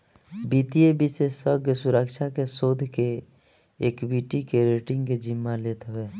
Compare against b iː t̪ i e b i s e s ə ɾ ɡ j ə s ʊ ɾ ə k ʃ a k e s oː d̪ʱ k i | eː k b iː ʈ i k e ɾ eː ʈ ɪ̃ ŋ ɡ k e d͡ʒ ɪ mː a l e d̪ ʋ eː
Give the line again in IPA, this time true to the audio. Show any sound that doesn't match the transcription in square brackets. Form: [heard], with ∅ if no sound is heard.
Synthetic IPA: b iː t̪ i e b i s e s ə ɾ ɡ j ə s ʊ ɾ ə k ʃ a k e s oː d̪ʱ k [e] | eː k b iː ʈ i k e ɾ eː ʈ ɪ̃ ŋ ɡ k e d͡ʒ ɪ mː a l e [t̪] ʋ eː